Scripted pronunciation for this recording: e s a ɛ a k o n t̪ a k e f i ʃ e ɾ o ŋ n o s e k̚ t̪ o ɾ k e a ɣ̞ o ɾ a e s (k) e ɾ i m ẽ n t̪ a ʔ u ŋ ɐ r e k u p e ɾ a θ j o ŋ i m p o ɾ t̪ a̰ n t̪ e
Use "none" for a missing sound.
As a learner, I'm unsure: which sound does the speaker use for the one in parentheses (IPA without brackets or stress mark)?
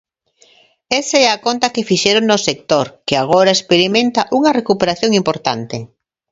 p